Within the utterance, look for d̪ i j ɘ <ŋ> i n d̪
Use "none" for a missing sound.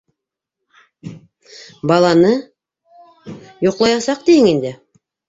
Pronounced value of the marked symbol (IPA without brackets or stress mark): ŋ